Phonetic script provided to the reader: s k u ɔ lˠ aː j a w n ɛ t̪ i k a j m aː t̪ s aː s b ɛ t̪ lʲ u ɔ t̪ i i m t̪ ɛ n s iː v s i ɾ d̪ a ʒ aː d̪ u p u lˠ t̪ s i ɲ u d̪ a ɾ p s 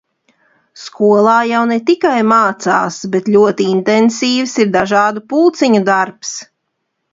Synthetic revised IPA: s k u ɔ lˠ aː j a w n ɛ t̪ i k a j m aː t̪ s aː s b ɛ t̪ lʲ u ɔ t̪ i i n t̪ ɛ n s iː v s i ɾ d̪ a ʒ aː d̪ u p u lˠ t̪ s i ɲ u d̪ a ɾ p s